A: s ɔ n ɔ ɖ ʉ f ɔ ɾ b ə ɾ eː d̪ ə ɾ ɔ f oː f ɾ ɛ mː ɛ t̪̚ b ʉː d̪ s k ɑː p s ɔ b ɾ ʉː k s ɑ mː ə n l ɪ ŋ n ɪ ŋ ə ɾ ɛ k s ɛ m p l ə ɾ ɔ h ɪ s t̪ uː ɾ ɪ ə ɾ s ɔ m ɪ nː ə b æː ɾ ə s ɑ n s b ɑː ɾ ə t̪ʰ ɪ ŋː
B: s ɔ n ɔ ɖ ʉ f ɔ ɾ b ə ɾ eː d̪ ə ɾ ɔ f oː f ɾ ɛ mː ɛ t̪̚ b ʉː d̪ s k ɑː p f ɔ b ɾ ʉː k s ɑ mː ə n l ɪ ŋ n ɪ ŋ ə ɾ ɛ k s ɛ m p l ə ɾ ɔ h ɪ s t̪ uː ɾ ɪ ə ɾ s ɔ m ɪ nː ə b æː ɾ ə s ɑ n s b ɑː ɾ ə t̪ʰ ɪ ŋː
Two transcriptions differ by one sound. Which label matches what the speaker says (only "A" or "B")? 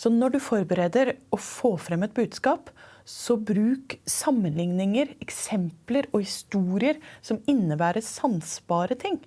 A